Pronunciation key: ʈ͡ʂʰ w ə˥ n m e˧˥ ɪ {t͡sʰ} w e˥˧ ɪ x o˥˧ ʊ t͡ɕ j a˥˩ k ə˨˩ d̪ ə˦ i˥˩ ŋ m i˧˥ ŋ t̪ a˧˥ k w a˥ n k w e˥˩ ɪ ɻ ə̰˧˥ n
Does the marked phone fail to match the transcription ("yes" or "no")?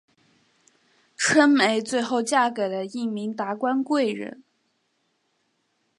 yes